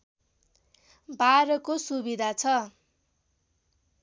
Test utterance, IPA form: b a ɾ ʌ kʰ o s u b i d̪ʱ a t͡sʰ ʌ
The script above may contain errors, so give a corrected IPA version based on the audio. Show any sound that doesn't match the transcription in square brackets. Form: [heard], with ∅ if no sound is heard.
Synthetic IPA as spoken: b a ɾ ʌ [k] o s u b i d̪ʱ a t͡sʰ ʌ